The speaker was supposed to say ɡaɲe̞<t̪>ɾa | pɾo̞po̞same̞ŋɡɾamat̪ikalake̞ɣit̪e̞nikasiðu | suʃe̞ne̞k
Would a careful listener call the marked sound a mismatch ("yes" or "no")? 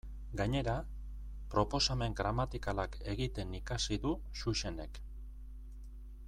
yes